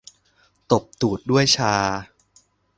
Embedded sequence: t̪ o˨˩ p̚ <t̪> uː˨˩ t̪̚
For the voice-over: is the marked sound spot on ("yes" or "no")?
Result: yes